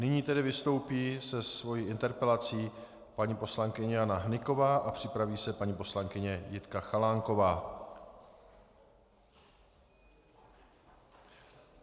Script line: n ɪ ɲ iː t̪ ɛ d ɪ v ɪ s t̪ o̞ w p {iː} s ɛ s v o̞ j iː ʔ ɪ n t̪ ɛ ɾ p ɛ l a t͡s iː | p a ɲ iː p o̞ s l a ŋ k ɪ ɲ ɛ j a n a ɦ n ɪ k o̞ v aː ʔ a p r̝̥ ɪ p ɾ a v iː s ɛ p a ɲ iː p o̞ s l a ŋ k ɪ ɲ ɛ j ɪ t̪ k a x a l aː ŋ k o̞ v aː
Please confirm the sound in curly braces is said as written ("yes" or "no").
yes